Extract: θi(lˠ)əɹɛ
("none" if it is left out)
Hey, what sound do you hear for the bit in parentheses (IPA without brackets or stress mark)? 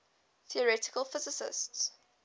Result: none